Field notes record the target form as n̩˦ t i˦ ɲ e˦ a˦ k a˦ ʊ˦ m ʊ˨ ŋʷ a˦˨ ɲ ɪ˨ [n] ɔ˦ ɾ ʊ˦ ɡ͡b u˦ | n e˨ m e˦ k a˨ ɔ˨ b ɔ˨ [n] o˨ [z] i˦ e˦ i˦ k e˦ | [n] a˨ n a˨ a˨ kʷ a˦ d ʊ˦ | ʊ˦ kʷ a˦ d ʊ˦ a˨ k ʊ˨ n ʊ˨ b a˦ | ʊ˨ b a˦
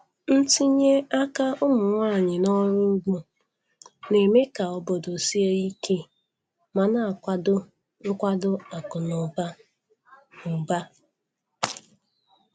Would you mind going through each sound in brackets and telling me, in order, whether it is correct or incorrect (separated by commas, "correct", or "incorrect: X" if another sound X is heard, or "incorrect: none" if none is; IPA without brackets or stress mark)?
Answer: correct, incorrect: d, incorrect: s, incorrect: m